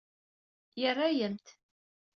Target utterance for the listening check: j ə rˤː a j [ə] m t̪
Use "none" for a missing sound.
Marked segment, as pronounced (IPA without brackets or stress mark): ə